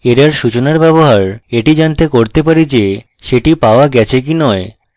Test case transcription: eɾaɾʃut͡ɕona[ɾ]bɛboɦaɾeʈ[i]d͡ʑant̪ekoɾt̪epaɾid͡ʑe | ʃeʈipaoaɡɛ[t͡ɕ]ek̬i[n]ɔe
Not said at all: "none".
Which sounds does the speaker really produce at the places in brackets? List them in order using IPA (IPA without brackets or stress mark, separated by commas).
ɾ, i, t͡ɕʰ, n